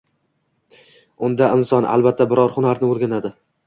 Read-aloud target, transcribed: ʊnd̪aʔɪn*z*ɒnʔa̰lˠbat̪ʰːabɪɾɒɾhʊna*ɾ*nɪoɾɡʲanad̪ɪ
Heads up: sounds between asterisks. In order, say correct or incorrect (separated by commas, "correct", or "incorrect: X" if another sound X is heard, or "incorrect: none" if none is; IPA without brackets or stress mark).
incorrect: s, correct